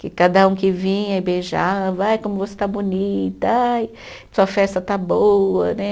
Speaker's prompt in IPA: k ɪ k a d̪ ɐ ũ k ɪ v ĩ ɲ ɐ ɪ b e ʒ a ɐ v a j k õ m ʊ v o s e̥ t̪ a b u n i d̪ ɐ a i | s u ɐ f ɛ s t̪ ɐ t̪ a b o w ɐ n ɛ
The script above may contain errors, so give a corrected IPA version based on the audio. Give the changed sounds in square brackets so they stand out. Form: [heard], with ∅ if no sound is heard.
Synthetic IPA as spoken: k ɪ k a d̪ ɐ ũ k ɪ v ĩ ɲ ɐ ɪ b e ʒ a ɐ v a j k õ m ʊ v o s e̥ t̪ a b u n i [t̪] ɐ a [j] | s u ɐ f ɛ s t̪ ɐ t̪ a b o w ɐ n ɛ